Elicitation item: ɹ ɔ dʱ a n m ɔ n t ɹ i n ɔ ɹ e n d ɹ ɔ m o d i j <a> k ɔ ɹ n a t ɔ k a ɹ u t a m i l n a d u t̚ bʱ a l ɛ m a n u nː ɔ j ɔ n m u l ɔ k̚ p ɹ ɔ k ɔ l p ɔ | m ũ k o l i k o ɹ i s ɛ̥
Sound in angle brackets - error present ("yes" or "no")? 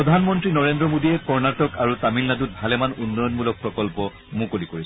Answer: yes